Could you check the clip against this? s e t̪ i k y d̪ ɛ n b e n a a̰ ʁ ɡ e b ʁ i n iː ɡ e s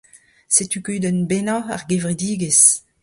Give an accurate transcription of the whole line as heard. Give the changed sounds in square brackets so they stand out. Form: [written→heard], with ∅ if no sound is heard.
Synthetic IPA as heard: s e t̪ [i→y] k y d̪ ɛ n b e n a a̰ ʁ ɡ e [b→v] ʁ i [n→d] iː ɡ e s